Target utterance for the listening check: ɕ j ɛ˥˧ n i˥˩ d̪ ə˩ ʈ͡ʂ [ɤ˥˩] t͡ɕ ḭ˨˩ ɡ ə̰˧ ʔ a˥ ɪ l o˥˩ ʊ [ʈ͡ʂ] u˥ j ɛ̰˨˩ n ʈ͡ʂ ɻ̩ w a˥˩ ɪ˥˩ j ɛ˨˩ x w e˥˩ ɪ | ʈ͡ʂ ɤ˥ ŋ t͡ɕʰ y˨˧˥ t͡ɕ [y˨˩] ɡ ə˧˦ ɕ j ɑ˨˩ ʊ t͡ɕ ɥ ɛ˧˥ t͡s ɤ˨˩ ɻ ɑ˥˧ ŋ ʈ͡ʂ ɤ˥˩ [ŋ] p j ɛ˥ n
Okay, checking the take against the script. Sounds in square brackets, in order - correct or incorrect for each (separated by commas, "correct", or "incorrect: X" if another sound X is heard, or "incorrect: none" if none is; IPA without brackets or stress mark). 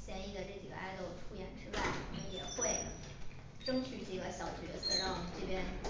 correct, incorrect: ʈ͡ʂʰ, incorrect: i˨˩, incorrect: none